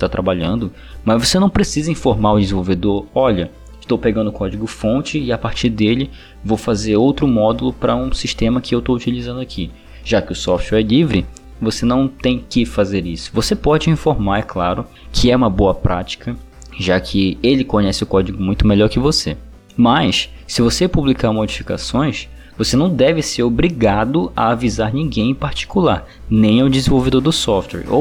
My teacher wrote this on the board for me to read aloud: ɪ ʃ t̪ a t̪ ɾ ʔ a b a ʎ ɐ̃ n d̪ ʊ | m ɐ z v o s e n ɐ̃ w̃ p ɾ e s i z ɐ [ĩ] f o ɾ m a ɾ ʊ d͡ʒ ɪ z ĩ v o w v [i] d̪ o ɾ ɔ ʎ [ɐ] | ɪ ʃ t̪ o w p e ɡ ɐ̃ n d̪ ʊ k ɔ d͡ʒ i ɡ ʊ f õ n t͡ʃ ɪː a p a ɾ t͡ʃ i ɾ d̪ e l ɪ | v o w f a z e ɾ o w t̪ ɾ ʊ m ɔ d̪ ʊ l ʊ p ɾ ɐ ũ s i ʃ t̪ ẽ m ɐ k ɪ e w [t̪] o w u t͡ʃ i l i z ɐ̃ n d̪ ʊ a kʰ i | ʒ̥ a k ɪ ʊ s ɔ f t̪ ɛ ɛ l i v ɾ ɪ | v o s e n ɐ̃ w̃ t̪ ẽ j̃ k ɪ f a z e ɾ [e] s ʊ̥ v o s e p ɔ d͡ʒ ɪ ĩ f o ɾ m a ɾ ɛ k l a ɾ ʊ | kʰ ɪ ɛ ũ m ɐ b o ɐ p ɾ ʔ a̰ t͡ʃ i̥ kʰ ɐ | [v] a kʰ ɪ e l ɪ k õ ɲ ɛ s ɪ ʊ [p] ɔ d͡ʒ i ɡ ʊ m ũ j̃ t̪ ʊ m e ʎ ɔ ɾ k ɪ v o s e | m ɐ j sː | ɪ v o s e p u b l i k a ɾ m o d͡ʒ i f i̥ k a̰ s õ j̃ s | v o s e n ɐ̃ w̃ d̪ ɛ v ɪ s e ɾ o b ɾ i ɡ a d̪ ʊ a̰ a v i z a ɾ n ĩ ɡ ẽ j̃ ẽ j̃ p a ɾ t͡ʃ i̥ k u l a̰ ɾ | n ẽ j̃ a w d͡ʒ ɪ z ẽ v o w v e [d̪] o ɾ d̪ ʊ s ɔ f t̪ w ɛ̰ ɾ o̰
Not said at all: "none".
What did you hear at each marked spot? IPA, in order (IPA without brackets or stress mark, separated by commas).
ĩ, e, ɐ, t̪, i, ʒ, k, d̪